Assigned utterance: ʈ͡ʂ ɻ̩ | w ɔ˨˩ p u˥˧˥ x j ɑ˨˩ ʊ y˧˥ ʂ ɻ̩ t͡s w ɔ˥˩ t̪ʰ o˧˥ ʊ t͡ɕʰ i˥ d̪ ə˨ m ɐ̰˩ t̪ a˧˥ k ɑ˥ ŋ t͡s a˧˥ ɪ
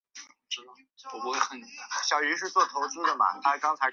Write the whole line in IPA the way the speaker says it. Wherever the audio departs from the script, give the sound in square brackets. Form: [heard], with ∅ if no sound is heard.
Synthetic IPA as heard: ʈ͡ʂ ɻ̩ | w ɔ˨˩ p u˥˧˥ [ɕ] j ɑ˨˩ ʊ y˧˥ ʂ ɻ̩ t͡s w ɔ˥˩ t̪ʰ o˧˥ ʊ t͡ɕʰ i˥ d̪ ə˨ m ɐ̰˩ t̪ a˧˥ k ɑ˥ ŋ [t͡sʰ] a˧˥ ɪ